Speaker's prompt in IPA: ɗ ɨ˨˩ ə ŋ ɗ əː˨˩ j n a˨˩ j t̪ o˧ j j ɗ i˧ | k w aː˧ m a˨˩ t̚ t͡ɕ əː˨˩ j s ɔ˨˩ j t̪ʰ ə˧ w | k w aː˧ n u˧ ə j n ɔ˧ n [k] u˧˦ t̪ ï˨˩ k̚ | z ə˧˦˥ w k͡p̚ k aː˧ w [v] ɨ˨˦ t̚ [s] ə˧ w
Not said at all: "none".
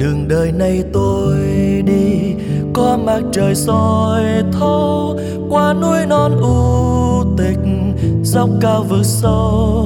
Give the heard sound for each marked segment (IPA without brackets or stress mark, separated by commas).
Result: ʔ, v, s